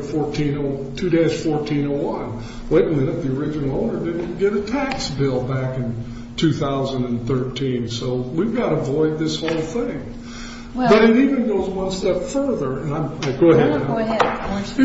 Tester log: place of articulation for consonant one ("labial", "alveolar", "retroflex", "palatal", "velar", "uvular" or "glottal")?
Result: labial